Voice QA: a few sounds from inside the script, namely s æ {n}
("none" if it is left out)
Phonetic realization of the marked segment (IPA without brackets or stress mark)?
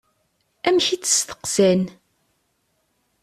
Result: n